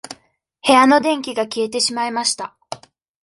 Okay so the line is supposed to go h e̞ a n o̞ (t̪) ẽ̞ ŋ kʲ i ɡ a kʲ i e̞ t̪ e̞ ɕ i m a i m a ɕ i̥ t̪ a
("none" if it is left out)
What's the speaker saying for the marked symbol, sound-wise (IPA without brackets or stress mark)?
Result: d̪